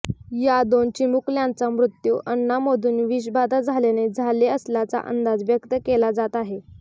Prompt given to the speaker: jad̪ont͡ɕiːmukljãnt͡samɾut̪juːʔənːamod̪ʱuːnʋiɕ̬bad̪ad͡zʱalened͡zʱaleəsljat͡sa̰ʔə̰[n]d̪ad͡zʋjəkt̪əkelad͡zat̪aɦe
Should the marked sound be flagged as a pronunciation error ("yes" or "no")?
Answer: no